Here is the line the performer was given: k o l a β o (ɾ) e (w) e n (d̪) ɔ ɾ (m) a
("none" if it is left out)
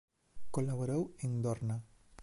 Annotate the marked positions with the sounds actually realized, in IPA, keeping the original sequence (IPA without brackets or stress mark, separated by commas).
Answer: ɾ, w, d̪, n